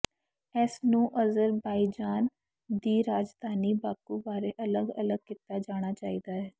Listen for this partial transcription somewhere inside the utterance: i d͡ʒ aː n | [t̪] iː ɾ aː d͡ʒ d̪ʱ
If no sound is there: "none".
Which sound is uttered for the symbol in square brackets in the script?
d̪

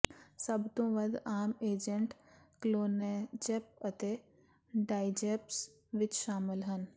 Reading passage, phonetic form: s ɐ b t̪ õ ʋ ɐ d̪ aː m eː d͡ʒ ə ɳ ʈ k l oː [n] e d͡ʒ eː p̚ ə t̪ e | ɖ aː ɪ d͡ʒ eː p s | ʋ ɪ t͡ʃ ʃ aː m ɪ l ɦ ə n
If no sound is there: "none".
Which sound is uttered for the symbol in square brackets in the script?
n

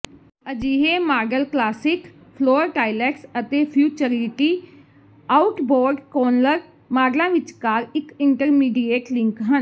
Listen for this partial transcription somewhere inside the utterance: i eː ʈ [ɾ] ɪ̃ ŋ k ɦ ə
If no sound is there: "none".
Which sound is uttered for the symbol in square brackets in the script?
l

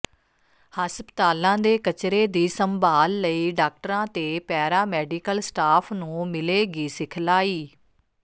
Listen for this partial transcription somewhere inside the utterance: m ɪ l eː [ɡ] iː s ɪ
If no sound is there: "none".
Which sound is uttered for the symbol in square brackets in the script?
ɡ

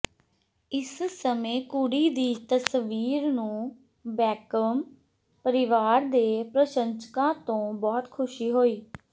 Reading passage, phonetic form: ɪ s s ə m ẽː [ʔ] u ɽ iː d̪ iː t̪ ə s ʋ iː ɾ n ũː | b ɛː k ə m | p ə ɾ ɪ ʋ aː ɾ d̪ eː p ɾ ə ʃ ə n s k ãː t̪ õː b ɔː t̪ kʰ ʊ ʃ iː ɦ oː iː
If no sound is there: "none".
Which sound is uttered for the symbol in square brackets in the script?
k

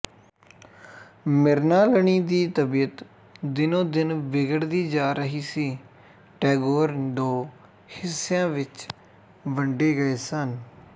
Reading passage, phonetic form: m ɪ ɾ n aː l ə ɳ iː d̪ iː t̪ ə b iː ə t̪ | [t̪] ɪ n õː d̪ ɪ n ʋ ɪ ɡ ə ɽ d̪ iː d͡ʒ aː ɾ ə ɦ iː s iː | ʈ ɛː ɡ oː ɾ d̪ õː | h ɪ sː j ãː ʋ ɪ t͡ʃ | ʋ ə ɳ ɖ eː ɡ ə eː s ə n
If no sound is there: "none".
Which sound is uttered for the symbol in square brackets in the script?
d̪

